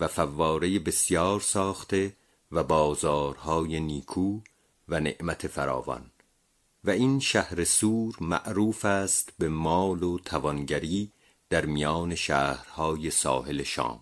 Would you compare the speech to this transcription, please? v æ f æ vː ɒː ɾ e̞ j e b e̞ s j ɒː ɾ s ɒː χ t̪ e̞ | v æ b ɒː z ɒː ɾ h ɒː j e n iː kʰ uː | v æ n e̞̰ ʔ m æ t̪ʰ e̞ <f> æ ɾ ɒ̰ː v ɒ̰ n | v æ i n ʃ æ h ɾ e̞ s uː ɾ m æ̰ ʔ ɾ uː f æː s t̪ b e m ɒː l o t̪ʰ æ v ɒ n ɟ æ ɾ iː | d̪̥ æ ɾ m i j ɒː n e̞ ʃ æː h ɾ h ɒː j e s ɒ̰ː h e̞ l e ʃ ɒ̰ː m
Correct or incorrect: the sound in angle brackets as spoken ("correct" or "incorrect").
correct